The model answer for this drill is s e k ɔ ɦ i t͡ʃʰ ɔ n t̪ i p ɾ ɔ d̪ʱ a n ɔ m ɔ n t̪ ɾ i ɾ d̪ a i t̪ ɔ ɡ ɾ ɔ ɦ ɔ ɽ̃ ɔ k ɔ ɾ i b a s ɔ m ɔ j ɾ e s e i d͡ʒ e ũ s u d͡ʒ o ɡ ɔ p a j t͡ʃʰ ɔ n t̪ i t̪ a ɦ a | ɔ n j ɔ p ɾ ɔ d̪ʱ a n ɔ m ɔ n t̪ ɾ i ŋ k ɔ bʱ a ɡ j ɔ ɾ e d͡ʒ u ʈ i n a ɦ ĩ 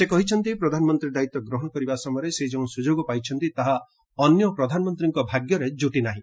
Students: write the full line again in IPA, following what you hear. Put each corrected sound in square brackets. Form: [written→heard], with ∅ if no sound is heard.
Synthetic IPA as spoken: s e k ɔ ɦ i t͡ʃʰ ɔ n t̪ i p ɾ ɔ d̪ʱ a n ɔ m ɔ n t̪ ɾ i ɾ d̪ a i t̪ ɔ ɡ ɾ ɔ ɦ ɔ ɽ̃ ɔ k ɔ ɾ i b a s ɔ m ɔ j ɾ e s e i d͡ʒ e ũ s u d͡ʒ o ɡ ɔ p a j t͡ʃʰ ɔ n t̪ i t̪ a ɦ a | ɔ n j ɔ p ɾ ɔ d̪ʱ a n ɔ m ɔ n t̪ ɾ i ŋ k ɔ bʱ a ɡ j ɔ ɾ e d͡ʒ u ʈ i n a ɦ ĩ